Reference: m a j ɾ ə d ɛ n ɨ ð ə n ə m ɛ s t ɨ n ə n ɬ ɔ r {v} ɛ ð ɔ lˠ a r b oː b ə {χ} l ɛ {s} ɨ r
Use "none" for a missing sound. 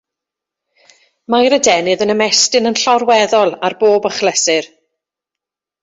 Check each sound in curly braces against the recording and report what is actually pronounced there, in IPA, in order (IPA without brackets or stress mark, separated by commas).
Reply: w, χ, s